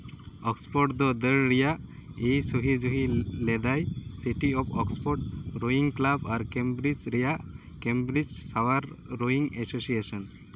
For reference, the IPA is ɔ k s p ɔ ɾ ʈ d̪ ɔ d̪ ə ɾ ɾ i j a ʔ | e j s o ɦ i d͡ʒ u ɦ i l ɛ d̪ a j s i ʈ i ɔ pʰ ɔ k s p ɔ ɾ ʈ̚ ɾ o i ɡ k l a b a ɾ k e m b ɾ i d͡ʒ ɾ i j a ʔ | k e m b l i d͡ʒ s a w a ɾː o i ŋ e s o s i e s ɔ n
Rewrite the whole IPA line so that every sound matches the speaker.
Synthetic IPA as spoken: ɔ k s p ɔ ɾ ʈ d̪ ɔ d̪ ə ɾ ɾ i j a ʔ | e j s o ɦ i d͡ʒ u ɦ i l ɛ d̪ a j s i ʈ i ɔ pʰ ɔ k s p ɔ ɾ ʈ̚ ɾ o i ŋ k l a b a ɾ k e m b ɾ i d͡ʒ ɾ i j a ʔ | k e m b ɾ i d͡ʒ s a w a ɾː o i ŋ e s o s i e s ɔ n